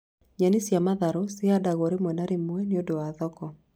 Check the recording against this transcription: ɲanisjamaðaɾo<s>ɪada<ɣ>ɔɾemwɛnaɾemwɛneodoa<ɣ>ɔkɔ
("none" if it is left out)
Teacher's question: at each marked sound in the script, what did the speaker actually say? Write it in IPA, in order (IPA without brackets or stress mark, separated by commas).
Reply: s, ɣ, ð